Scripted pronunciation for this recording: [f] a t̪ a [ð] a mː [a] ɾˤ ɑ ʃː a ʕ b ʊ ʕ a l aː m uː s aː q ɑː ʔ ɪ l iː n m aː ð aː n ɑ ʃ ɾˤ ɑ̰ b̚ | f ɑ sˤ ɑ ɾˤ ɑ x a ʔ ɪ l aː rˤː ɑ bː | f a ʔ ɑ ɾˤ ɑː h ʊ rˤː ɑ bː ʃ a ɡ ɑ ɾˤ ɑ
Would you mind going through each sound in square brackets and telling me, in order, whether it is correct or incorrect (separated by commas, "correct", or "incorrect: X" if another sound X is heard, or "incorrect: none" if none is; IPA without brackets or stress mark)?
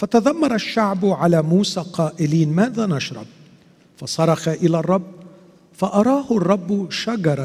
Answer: correct, correct, incorrect: ɑ